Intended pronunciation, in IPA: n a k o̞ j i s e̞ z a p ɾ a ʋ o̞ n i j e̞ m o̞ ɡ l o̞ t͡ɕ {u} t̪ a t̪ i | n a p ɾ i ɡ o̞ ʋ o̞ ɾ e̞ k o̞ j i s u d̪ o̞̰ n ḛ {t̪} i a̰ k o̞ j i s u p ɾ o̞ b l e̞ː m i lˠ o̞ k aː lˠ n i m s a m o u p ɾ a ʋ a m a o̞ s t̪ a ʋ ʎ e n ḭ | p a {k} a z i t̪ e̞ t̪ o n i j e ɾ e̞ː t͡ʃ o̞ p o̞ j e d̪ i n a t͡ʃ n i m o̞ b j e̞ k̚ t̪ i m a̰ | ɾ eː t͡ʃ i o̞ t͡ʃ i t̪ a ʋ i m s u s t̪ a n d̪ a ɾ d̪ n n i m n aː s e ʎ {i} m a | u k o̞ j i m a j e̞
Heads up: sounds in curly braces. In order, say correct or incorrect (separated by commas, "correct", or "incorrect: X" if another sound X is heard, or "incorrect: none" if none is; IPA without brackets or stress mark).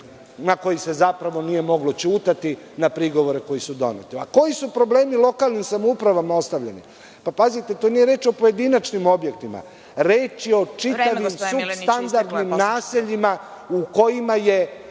incorrect: uː, correct, incorrect: p, correct